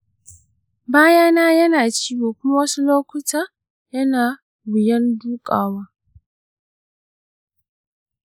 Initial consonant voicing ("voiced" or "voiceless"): voiced